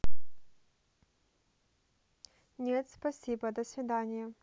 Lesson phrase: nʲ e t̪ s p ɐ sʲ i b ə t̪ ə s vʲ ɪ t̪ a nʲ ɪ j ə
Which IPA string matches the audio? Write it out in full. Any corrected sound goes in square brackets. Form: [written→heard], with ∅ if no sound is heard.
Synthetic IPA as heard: nʲ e t̪ s p ɐ sʲ i b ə [t̪→d̪] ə s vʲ ɪ [t̪→d̪] a nʲ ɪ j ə